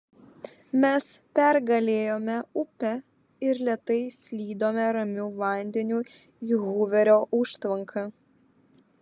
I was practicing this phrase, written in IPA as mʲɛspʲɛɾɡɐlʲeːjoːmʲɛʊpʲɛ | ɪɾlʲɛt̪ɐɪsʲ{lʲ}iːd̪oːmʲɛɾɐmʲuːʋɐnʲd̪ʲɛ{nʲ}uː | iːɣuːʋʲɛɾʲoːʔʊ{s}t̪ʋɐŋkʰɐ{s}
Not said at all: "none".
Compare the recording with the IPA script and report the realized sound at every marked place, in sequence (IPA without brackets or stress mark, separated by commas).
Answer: lʲ, nʲ, ʃ, none